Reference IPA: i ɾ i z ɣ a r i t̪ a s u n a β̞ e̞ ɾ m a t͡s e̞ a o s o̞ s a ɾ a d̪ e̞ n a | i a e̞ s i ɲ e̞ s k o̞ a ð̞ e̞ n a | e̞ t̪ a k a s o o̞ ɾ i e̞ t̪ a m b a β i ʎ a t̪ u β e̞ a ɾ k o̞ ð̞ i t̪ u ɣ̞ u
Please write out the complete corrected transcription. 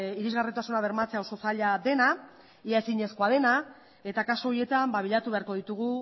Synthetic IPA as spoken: i ɾ i z ɣ a r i t̪ a s u n a β̞ e̞ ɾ m a t͡s e̞ a o s o̞ s a ʎ a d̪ e̞ n a | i a e̞ s i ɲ e̞ s k o̞ a ð̞ e̞ n a | e̞ t̪ a k a s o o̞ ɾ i e̞ t̪ a m b a β i ʎ a t̪ u β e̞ a ɾ k o̞ ð̞ i t̪ u ɣ̞ u

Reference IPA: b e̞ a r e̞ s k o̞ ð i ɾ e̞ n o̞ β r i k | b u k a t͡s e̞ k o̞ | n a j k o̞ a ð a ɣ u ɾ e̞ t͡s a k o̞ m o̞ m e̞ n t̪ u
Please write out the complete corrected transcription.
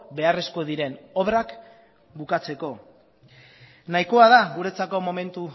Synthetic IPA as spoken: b e̞ a r e̞ s k o̞ ð i ɾ e̞ n o̞ β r a k | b u k a t͡s e̞ k o̞ | n a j k o̞ a ð a ɣ u ɾ e̞ t͡s a k o̞ m o̞ m e̞ n t̪ u

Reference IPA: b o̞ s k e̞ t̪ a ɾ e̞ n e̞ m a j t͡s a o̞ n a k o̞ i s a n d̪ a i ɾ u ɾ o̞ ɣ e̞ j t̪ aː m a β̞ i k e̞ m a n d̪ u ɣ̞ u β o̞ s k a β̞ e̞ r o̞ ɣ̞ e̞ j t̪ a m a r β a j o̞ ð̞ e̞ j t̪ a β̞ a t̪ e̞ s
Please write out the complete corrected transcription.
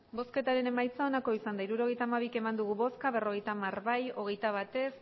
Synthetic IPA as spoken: b o̞ s k e̞ t̪ a ɾ e̞ n e̞ m a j t͡s a o̞ n a k o̞ i s a n d̪ a i ɾ u ɾ o̞ ɣ e̞ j t̪ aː m a β̞ i k e̞ m a n d̪ u ɣ̞ u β o̞ s k a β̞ e̞ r o̞ ɣ̞ e̞ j t̪ a m a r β a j o̞ ɣ̞ e̞ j t̪ a β̞ a t̪ e̞ s

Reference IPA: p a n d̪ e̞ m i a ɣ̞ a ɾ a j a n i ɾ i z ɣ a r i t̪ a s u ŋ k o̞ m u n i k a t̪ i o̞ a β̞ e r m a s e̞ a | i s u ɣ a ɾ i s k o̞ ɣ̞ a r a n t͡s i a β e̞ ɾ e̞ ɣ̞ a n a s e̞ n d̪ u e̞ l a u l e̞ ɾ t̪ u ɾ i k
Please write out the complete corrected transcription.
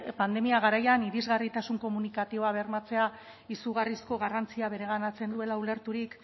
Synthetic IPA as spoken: p a n d̪ e̞ m i a ɣ̞ a ɾ a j a n i ɾ i z ɣ a r i t̪ a s u ŋ k o̞ m u n i k a t̪ i o̞ a β̞ e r m a t͡s e̞ a | i s u ɣ a r i s k o̞ ɣ̞ a r a n t͡s i a β e̞ ɾ e̞ ɣ̞ a n a t͡s e̞ n d̪ u e̞ l a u l e̞ ɾ t̪ u ɾ i k

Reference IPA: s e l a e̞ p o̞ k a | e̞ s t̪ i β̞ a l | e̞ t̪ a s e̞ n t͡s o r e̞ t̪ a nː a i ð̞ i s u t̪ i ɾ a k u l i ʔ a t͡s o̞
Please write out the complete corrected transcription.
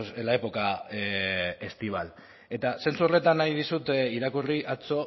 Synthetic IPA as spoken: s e l a e̞ p o̞ k a | e̞ s t̪ i β̞ a l | e̞ t̪ a s e̞ n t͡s u r e̞ t̪ a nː a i ð̞ i s u t̪ i ɾ a k u r i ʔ a t͡s o̞

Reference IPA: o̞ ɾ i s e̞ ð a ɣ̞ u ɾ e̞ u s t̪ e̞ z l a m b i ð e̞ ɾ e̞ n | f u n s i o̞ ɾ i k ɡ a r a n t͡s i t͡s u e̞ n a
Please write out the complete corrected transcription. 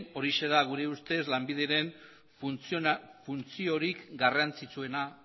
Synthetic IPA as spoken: o̞ ɾ i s e̞ ð a ɣ̞ u ɾ e̞ u s t̪ e̞ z l a m b i ð e̞ ɾ e̞ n | f u n t͡s i o̞ ɾ i k ɡ a r a n t͡s i t͡s u e̞ n a

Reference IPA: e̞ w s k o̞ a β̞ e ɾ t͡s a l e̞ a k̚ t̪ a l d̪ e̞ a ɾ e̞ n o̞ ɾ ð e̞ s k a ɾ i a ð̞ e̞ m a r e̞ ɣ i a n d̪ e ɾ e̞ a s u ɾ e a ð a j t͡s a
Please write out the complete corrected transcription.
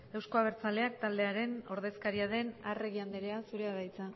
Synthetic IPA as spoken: e̞ w s k o̞ a β̞ e ɾ t͡s a l e̞ a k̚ t̪ a l d̪ e̞ a ɾ e̞ n o̞ ɾ ð e̞ s k a ɾ i a ð̞ e̞ n a r e̞ ɣ i a n d̪ e ɾ e̞ a s u ɾ e a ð a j t͡s a

